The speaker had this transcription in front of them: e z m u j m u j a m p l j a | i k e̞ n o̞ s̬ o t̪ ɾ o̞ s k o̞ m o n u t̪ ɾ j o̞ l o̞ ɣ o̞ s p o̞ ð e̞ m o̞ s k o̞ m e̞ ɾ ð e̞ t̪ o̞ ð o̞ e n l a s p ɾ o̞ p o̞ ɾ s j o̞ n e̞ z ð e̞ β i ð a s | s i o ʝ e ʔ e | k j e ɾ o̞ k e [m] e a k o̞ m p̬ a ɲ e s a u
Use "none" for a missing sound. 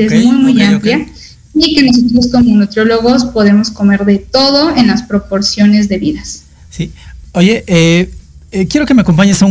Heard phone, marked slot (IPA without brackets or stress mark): m